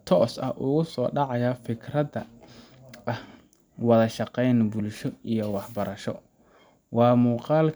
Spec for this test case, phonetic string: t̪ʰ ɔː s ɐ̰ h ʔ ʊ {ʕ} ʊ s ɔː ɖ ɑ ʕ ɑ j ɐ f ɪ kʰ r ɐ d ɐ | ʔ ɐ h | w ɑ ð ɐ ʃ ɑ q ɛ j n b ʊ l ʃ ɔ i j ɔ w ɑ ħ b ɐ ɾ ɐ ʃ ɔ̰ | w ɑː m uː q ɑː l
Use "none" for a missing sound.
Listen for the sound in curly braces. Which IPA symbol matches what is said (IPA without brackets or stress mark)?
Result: ɣ